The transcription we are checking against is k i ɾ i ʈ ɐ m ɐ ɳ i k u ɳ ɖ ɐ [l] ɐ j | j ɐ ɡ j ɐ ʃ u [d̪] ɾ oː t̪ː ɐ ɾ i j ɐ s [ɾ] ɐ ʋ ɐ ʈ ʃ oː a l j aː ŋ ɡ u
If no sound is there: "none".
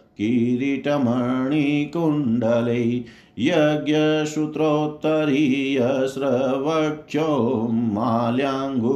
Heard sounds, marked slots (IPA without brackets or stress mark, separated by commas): l, t̪, ɾ